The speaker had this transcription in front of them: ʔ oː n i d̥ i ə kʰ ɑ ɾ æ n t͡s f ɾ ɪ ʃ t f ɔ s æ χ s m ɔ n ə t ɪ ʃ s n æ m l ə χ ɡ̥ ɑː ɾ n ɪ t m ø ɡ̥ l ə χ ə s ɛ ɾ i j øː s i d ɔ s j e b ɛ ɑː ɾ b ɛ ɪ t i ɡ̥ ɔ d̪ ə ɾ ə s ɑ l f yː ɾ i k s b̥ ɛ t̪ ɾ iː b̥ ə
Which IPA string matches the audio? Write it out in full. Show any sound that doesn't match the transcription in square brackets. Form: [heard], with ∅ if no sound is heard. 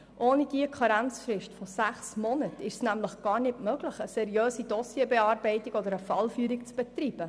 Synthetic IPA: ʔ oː n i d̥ i ə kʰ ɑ ɾ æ n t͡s f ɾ ɪ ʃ t f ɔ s æ χ s m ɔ n ə t ɪ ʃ s n æ m l ə χ ɡ̥ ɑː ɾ n ɪ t m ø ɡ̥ l ə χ ə s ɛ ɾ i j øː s i d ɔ s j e b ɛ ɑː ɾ b ɛ ɪ t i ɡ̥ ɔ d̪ ə ɾ ə [f] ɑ l f yː ɾ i k [t͡s] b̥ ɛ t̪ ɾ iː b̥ ə